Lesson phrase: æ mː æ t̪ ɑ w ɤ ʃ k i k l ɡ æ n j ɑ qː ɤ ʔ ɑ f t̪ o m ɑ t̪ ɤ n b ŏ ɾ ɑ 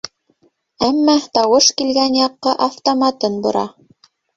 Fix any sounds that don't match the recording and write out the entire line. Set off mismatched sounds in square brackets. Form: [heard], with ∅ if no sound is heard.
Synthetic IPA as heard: æ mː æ t̪ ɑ w ɤ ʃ k i [∅] l ɡ æ n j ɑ qː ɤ ʔ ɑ f t̪ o m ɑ t̪ ɤ n b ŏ ɾ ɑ